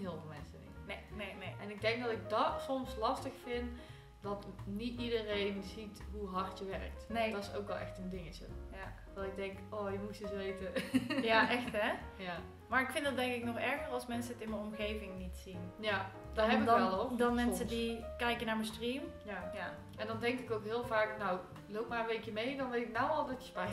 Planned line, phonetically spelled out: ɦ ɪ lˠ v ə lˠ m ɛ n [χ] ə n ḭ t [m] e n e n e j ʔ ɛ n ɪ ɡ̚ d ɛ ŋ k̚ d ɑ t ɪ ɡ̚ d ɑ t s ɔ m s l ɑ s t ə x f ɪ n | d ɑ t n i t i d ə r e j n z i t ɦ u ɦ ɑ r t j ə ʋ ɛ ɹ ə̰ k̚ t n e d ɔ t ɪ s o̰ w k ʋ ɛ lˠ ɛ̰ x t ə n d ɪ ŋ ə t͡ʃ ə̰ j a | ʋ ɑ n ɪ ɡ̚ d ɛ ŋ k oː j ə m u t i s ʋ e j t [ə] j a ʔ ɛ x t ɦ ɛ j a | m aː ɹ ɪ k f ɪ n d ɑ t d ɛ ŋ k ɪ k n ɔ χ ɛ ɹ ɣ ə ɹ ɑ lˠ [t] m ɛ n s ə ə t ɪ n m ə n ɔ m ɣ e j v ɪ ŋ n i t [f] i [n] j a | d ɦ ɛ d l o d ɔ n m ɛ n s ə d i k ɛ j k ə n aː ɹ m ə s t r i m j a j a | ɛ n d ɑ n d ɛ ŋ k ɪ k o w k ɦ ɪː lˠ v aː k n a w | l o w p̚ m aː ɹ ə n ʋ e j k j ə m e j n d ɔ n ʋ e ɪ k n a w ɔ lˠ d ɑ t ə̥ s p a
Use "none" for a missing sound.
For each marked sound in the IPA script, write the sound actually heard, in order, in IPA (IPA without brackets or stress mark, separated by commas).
s, n, ə, s, s, n